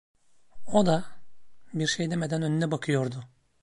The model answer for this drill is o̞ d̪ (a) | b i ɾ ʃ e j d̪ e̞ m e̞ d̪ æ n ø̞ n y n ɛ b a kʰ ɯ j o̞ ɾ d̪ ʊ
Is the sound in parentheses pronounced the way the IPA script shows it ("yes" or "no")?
yes